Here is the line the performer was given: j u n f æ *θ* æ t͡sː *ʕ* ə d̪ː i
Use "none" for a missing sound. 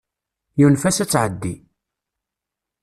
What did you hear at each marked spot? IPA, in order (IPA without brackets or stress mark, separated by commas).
s, ʕ